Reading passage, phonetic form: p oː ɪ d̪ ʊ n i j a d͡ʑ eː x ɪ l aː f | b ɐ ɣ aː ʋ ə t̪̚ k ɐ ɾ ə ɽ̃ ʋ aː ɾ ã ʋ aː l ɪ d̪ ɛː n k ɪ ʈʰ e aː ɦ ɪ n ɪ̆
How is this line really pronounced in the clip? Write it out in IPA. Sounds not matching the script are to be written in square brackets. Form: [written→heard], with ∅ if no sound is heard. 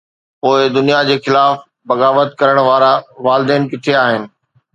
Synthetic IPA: p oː ɪ d̪ ʊ n i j a d͡ʑ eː x ɪ l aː f | b ɐ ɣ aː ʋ ə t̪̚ k ɐ ɾ ə ɽ̃ ʋ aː ɾ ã ʋ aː l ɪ d̪ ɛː n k ɪ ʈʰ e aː ɦ ɪ n ɪ̆